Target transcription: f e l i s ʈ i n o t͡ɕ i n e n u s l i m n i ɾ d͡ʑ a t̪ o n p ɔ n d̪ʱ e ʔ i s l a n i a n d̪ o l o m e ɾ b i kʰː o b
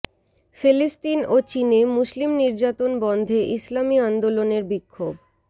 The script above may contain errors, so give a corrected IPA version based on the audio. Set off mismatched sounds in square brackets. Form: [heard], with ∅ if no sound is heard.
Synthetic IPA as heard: f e l i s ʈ i n o t͡ɕ i n e [m] u s l i m n i ɾ d͡ʑ a t̪ o n [b] ɔ n d̪ʱ e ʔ i s l a [m] i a n d̪ o l o [n] e ɾ b i kʰː o b

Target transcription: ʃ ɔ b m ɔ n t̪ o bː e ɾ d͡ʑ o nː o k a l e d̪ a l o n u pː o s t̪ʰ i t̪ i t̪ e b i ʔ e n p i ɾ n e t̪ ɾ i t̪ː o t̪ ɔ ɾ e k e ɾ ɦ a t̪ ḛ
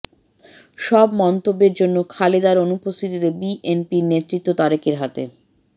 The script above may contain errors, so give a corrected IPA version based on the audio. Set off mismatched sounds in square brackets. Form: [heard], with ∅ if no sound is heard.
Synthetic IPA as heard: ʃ ɔ b m ɔ n t̪ o bː e ɾ d͡ʑ o nː o [kʰ] a l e d̪ a [ɾ] o n u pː o s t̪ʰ i t̪ i t̪ e b i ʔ e n p i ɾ n e t̪ ɾ i t̪ː o t̪ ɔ ɾ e k e ɾ ɦ a t̪ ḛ

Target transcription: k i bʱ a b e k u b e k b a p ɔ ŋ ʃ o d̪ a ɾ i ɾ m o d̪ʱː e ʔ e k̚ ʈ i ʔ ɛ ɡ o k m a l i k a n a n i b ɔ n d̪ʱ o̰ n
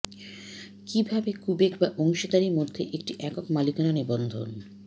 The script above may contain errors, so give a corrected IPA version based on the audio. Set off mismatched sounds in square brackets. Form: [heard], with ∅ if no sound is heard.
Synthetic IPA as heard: k i bʱ a b e k u b e k b a [ʔ] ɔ ŋ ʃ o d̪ a ɾ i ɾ m o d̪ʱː e ʔ e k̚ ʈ i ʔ ɛ [k] o k m a l i k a n a n i b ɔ n d̪ʱ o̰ n

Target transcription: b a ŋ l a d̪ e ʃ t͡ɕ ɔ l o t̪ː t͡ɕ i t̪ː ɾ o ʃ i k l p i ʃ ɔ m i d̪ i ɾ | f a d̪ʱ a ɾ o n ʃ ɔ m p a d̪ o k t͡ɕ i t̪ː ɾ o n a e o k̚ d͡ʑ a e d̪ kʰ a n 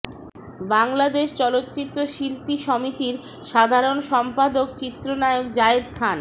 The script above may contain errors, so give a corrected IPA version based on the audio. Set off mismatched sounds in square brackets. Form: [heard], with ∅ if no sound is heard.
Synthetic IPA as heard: b a ŋ l a d̪ e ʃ t͡ɕ ɔ l o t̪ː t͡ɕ i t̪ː ɾ o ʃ i [∅] l p i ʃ ɔ m i [t̪] i ɾ | [ʃ] a d̪ʱ a ɾ o n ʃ ɔ m p a d̪ o k t͡ɕ i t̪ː ɾ o n a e o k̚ d͡ʑ a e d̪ kʰ a n

